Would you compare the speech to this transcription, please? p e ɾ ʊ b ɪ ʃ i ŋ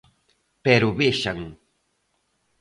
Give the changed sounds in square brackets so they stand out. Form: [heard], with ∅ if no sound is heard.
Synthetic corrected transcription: p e ɾ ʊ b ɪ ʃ [a] ŋ